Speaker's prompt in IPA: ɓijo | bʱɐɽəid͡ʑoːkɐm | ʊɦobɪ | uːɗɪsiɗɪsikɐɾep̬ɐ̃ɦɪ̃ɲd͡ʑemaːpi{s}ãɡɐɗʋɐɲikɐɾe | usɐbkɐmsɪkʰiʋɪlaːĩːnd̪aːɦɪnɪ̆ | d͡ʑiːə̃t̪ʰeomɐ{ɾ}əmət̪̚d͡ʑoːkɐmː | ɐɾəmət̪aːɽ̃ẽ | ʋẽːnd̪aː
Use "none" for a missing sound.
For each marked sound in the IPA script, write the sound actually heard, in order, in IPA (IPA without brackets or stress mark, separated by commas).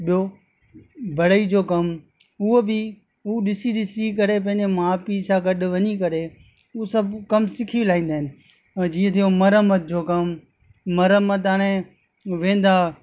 s, ɾ